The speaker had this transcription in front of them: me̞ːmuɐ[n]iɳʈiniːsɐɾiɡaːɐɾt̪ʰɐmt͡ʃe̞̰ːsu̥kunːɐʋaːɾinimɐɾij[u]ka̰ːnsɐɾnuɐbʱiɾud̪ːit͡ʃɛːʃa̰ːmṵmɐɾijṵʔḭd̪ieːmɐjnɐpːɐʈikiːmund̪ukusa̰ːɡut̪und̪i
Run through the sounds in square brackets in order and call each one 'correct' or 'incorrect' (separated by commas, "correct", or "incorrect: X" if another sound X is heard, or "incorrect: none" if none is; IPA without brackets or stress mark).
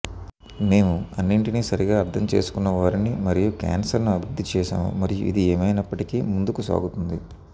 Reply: incorrect: nː, correct